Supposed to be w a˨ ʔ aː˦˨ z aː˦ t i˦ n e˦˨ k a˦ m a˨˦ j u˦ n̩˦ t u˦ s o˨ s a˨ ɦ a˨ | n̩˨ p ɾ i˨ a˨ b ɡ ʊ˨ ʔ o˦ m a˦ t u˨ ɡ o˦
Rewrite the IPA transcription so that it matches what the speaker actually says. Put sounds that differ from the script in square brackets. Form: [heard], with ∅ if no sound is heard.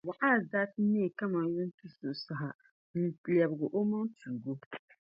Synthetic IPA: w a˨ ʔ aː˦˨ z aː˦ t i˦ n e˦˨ k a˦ m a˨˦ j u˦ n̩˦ t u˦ s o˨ s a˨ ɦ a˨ | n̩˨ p [l] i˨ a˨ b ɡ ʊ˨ ʔ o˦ m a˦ t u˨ ɡ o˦